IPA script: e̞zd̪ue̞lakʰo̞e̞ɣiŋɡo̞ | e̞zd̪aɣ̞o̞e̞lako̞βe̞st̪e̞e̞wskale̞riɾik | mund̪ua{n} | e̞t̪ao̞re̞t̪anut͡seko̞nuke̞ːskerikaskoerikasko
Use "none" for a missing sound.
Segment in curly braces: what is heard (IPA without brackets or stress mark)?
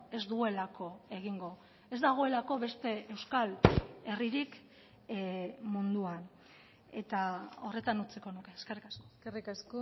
n